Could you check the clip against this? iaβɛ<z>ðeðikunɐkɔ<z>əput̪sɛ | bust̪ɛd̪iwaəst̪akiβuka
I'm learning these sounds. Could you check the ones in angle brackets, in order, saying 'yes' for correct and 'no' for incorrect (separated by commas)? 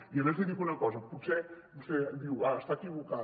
yes, yes